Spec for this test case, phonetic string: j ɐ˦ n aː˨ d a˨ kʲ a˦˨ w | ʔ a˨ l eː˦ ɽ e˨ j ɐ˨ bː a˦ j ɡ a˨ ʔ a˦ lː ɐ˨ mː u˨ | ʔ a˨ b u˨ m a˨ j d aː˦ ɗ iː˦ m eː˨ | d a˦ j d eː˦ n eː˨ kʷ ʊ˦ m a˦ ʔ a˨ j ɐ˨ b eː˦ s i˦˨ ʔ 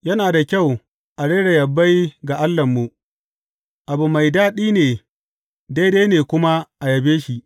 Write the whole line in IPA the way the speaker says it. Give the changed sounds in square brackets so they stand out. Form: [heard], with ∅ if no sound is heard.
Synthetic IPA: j ɐ˦ n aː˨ d a˨ kʲ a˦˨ w | ʔ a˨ [ɽ] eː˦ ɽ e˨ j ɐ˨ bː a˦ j ɡ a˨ ʔ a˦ lː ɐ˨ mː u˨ | ʔ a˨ b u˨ m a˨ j d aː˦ ɗ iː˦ [n] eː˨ | d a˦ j d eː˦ n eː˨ kʷ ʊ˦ m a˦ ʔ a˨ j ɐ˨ b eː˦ [ʃ] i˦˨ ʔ

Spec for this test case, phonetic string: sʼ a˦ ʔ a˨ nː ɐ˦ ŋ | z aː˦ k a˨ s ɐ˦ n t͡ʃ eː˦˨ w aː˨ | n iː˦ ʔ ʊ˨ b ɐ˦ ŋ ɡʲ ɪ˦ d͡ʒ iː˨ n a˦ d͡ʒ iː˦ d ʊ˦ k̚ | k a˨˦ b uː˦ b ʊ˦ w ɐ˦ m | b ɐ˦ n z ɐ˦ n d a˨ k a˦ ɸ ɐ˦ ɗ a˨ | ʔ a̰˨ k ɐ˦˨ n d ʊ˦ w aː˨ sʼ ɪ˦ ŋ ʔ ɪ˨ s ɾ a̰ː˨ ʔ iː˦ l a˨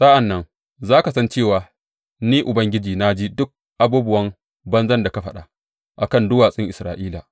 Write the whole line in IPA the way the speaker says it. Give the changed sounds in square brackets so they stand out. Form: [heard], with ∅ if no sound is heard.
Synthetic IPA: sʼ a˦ ʔ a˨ nː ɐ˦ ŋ | z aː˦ k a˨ s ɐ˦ n t͡ʃ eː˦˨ w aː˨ | n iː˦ ʔ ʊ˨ b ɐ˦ ŋ ɡʲ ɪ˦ d͡ʒ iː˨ n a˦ d͡ʒ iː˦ d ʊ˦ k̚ | [ʔ] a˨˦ b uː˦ b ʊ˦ w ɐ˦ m | b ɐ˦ n z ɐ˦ n d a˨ k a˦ ɸ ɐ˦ ɗ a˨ | ʔ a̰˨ k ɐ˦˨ n d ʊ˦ w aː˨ sʼ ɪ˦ ŋ ʔ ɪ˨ s ɾ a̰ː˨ ʔ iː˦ l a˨

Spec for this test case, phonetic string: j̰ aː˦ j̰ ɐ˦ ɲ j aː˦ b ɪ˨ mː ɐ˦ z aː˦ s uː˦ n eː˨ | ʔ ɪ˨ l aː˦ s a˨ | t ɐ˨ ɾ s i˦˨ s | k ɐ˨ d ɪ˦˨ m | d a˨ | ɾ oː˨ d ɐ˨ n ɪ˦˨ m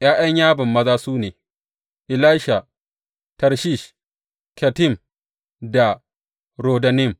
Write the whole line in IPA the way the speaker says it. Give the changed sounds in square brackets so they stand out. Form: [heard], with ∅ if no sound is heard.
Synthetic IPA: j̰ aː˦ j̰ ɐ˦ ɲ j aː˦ b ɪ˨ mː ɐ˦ z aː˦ s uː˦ n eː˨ | ʔ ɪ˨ l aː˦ [ʃ] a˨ | t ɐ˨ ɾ [ʃ] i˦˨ [ʃ] | k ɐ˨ [t] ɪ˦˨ m | d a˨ | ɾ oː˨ d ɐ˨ n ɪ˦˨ m

